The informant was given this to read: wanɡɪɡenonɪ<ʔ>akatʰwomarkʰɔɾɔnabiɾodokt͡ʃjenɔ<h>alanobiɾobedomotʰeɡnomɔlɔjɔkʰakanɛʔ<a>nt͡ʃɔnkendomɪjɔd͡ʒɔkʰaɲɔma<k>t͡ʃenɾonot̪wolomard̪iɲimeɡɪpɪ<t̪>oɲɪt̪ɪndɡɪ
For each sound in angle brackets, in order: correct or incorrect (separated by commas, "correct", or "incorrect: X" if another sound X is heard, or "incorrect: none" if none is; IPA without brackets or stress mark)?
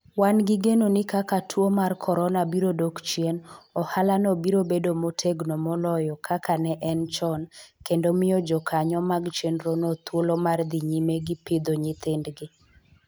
incorrect: k, correct, incorrect: ɛ, incorrect: ɡ, incorrect: d̪